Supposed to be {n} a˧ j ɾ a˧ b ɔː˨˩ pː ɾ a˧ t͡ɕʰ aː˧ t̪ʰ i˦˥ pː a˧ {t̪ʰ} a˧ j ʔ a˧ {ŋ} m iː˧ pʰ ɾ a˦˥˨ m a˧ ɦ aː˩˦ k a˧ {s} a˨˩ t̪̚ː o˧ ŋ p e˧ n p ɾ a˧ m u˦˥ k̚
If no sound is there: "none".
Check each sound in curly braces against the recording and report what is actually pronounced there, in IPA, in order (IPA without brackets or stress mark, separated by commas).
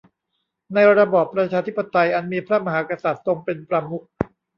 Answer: n, t̪, n, s